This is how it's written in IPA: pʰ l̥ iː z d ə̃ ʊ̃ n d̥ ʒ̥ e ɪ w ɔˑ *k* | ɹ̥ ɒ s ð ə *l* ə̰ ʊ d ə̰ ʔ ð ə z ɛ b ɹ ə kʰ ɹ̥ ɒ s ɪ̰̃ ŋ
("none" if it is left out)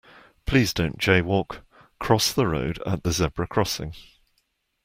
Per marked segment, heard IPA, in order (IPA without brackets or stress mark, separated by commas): kʰ, ɹ